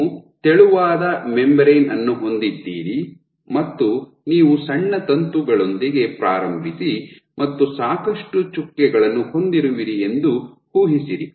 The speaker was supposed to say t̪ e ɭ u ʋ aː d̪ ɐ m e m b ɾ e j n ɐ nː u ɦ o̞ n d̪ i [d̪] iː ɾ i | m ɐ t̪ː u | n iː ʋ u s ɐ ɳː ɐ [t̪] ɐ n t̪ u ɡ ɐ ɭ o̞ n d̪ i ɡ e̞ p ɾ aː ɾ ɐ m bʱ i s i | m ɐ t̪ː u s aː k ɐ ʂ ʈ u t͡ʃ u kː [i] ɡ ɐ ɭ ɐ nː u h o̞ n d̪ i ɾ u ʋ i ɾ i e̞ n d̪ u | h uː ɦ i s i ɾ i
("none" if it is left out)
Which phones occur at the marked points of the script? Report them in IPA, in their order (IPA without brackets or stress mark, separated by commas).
d̪ː, t̪, ɛ